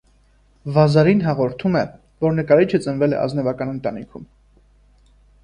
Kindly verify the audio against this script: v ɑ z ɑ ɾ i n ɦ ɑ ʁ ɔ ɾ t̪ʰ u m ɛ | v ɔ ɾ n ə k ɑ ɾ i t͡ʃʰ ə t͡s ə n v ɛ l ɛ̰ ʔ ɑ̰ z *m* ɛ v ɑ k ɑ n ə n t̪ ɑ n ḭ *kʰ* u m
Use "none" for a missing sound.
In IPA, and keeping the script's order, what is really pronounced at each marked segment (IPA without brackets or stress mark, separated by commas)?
n, kʰ